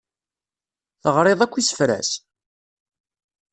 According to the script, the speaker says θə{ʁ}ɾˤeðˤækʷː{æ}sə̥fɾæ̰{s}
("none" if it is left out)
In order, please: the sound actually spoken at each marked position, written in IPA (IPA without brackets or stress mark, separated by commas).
ʁ, i, s